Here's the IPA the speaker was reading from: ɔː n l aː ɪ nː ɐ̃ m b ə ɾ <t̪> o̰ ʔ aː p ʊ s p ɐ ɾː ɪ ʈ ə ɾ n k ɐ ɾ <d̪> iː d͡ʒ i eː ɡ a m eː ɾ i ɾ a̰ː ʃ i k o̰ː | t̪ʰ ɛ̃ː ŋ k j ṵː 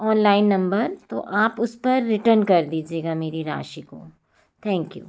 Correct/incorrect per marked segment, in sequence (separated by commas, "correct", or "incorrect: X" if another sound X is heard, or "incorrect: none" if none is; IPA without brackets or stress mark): correct, correct